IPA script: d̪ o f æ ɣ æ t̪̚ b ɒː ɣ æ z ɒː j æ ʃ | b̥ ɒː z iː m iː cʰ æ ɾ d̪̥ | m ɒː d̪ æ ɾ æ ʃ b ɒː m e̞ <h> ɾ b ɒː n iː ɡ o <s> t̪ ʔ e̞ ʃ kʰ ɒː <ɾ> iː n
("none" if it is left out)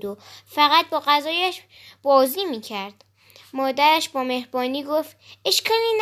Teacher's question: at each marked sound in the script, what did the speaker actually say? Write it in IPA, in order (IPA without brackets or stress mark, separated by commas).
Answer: h, f, l